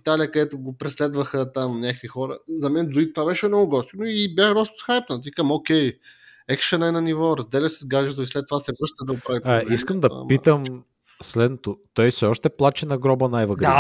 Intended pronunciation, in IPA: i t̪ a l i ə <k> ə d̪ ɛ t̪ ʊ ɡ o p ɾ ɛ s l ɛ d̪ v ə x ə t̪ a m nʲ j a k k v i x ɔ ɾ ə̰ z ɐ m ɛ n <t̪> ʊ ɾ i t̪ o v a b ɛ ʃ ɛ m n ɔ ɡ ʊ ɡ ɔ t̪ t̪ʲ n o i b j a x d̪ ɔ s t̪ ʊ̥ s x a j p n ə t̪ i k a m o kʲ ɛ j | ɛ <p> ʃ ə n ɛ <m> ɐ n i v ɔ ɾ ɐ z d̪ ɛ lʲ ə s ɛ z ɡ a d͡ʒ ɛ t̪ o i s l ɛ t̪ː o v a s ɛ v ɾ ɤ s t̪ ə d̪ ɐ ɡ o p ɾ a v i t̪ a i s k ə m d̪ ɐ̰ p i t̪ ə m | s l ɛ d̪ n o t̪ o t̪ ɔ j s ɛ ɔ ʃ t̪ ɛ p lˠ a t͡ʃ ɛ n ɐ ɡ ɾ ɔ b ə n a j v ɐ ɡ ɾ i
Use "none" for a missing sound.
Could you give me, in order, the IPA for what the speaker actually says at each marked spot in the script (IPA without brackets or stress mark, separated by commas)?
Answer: k, d̪, k, n